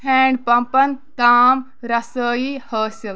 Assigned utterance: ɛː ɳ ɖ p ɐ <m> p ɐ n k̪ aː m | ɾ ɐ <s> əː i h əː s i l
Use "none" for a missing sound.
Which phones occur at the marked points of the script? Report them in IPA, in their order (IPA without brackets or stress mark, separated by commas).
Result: m, s